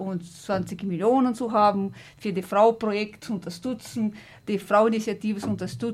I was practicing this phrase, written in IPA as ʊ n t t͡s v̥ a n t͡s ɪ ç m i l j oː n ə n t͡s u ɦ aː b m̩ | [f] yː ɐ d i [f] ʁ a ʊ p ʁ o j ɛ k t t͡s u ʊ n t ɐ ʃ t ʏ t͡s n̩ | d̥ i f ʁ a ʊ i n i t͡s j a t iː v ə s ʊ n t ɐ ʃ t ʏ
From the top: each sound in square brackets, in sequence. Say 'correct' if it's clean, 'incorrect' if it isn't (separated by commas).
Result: correct, correct